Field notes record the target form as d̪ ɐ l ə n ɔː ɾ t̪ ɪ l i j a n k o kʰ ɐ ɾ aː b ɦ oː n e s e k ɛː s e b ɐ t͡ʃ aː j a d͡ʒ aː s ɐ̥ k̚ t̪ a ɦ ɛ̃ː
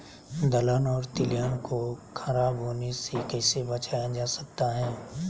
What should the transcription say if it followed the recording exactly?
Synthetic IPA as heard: d̪ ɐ l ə n ɔː ɾ t̪ ɪ l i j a n k o kʰ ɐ ɾ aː b ɦ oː n e s e k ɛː s e b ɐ t͡ʃ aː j a d͡ʒ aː s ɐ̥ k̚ t̪ a ɦ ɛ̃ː